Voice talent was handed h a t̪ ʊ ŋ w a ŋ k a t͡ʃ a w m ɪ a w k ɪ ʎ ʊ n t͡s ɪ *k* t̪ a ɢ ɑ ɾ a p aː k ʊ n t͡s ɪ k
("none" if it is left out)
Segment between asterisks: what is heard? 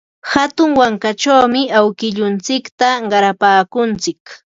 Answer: k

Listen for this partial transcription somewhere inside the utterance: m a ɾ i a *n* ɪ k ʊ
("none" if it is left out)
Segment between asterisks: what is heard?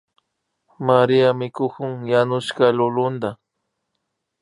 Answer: m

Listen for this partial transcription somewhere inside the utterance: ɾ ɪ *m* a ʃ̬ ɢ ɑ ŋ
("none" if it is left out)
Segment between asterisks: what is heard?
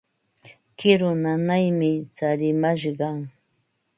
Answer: m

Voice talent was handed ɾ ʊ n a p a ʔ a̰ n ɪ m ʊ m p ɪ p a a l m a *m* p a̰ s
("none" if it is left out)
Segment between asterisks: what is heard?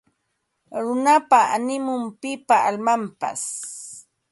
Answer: m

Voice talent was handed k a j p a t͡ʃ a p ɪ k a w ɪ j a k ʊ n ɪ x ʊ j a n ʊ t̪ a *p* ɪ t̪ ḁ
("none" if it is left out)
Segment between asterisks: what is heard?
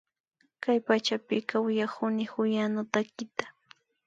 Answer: k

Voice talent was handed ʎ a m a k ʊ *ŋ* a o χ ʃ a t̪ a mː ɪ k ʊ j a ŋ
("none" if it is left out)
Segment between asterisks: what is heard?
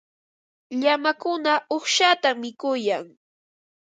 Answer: n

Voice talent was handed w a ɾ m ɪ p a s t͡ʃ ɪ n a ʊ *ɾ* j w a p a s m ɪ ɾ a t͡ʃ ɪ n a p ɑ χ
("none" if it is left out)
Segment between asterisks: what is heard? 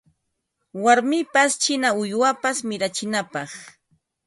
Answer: none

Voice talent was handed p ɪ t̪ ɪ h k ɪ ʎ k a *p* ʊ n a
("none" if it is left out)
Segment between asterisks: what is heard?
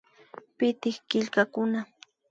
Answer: k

